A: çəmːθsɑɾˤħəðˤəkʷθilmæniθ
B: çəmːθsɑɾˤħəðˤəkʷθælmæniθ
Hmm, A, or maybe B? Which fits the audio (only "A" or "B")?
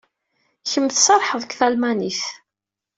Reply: B